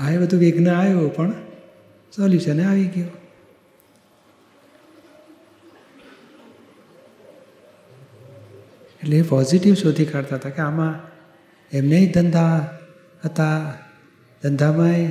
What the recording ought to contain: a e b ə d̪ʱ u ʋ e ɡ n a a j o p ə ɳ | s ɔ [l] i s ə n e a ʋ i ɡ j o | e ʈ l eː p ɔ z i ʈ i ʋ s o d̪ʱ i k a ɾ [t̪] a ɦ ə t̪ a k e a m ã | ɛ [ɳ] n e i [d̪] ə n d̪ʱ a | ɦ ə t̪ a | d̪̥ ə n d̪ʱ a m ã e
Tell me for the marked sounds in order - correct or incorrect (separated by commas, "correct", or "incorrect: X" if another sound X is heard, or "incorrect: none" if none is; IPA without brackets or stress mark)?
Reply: correct, correct, incorrect: m, correct